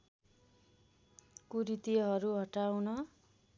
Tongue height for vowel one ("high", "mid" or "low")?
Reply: high